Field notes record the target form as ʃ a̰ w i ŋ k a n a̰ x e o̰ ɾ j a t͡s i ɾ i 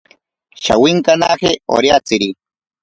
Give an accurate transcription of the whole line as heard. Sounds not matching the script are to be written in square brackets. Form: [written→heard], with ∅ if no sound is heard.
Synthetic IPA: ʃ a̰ w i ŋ k a n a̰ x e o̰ ɾ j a t͡s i ɾ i